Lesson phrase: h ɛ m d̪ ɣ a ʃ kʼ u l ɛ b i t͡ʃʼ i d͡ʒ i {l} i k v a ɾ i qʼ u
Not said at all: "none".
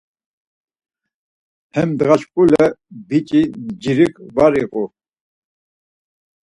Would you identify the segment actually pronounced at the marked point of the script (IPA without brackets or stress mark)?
ɾ